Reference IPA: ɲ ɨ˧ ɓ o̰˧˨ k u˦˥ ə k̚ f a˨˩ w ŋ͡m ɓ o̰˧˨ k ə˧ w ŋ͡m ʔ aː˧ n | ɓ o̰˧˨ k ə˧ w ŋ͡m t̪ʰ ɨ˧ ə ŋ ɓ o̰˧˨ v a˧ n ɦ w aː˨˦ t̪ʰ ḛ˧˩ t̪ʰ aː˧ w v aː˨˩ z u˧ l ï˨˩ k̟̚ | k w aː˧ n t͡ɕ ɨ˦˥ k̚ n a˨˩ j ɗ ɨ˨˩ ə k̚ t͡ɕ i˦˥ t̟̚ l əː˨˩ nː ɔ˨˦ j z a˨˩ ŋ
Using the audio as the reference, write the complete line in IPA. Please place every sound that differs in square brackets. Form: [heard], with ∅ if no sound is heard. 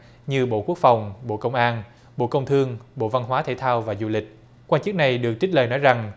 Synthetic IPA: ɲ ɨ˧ ɓ o̰˧˨ k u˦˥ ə k̚ f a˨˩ w ŋ͡m ɓ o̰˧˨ k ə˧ w ŋ͡m ʔ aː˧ n | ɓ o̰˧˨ k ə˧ w ŋ͡m t̪ʰ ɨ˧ ə ŋ ɓ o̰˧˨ v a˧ n ɦ w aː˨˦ t̪ʰ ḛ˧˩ t̪ʰ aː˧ w v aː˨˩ z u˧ l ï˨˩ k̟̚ | k w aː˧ n t͡ɕ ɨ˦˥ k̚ n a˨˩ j ɗ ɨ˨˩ ə k̚ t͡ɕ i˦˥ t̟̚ l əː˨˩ [n] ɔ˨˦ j z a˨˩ ŋ